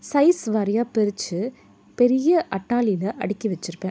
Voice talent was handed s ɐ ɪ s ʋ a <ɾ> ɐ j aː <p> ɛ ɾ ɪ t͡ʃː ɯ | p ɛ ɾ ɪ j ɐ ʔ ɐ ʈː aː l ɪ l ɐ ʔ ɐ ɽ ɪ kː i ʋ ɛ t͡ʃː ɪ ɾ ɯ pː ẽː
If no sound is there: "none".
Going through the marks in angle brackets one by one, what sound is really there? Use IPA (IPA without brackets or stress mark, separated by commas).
ɾ, p